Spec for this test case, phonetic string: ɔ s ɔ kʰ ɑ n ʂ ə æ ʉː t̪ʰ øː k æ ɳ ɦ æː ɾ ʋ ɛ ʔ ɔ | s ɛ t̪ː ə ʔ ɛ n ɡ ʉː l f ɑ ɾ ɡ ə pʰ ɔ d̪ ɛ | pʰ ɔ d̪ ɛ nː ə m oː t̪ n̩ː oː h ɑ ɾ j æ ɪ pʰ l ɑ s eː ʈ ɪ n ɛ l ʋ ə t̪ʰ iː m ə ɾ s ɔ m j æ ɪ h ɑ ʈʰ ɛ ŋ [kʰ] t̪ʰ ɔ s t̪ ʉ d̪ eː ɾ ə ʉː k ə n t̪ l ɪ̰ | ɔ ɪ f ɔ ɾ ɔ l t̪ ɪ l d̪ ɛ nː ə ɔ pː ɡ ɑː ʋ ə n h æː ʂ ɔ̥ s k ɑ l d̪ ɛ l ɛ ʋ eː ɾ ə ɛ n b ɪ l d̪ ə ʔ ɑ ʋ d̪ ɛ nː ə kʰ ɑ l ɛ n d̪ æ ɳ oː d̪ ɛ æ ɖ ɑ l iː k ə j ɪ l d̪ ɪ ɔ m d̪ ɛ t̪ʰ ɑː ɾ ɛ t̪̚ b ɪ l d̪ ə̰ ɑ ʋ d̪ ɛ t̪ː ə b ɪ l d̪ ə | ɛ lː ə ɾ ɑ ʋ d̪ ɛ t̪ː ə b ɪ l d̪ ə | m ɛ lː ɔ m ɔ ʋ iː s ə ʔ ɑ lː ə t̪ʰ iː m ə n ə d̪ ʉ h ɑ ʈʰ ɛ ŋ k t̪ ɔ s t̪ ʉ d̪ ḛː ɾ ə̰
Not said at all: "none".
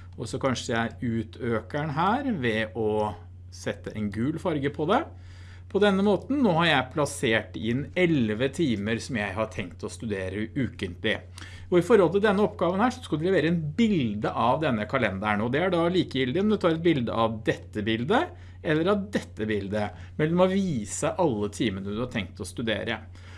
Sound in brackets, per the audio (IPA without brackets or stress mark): k